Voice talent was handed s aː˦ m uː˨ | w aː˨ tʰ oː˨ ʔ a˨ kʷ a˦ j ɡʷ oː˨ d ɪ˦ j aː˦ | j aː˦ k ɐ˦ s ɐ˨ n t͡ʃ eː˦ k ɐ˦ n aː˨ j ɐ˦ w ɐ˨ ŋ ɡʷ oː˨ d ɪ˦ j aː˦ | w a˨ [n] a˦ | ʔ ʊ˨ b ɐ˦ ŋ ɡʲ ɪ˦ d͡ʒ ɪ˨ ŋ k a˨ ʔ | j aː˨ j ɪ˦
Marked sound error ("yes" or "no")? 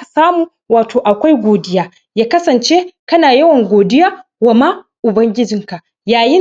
yes